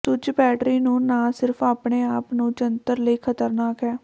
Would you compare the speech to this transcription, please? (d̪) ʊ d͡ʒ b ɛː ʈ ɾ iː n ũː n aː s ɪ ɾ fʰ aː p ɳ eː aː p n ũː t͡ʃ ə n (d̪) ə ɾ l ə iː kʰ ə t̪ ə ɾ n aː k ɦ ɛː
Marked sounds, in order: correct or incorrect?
incorrect: t̪, incorrect: t̪

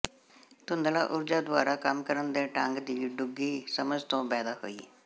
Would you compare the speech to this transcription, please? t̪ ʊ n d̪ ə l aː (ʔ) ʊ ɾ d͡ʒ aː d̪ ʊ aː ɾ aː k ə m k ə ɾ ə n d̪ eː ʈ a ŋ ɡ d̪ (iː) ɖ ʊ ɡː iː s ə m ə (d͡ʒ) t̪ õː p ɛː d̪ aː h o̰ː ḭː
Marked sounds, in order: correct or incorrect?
correct, correct, correct

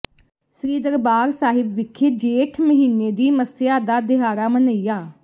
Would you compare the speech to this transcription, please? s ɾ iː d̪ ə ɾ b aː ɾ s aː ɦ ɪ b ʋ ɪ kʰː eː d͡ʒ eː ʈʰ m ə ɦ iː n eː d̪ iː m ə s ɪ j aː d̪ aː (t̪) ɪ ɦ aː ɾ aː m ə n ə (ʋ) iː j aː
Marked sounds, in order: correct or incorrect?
incorrect: d̪, incorrect: none

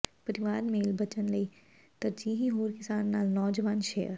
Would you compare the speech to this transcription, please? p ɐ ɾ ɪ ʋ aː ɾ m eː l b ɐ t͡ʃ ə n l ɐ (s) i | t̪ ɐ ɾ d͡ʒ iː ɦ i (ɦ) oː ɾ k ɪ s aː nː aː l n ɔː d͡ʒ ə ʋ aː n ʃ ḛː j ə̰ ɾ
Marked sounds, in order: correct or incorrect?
incorrect: none, correct

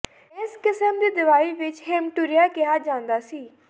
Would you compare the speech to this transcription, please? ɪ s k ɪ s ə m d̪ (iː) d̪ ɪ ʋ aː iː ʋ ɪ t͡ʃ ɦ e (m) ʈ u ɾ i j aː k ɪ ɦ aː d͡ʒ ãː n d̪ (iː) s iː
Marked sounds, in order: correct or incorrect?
correct, correct, incorrect: aː

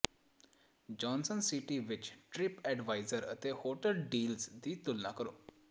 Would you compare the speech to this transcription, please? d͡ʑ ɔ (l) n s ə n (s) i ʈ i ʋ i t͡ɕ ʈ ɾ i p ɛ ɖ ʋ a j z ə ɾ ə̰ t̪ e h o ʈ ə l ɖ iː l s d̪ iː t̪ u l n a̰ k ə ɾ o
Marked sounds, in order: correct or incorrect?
incorrect: none, correct

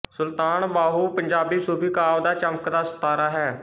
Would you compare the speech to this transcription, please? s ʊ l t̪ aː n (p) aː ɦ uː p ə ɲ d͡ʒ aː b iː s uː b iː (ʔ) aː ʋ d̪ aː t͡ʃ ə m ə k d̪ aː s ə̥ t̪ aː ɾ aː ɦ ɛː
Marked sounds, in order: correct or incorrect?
incorrect: b, incorrect: k

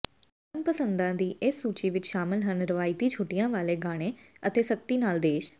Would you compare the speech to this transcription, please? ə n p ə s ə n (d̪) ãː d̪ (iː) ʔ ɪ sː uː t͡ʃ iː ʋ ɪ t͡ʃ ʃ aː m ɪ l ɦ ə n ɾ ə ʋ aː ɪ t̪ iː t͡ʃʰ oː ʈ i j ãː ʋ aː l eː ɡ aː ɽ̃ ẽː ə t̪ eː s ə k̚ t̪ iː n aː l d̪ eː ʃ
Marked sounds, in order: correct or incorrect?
correct, correct

